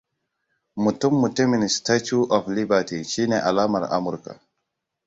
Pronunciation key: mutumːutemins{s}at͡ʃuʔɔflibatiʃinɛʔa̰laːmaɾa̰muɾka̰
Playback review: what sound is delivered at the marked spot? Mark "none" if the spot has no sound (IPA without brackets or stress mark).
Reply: t